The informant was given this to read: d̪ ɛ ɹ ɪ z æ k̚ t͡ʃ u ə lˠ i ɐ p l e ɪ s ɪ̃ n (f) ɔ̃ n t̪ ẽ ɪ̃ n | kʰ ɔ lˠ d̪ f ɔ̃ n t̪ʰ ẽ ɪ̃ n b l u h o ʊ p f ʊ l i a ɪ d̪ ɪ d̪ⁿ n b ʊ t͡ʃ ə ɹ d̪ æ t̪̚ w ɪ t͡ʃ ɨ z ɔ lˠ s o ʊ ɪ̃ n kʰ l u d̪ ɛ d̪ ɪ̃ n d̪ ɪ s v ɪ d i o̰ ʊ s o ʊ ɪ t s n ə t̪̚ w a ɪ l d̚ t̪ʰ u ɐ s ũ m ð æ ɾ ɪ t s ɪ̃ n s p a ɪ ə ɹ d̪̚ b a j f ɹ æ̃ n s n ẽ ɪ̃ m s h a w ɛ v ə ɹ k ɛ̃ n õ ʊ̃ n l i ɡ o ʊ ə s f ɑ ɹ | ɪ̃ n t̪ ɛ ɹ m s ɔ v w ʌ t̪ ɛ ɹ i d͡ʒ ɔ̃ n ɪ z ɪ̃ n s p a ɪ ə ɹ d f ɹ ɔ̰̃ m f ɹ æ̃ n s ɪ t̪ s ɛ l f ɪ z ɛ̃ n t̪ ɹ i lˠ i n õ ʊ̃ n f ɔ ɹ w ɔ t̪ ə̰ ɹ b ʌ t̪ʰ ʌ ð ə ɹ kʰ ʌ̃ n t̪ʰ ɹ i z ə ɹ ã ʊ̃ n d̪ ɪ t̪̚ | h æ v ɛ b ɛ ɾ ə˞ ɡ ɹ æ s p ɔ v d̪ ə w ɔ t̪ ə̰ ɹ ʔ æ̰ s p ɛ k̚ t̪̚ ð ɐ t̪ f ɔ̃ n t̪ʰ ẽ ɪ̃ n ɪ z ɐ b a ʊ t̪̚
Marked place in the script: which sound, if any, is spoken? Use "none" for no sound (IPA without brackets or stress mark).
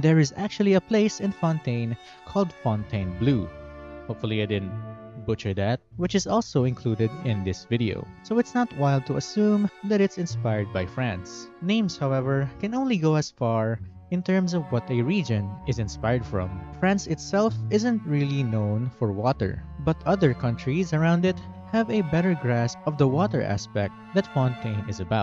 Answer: f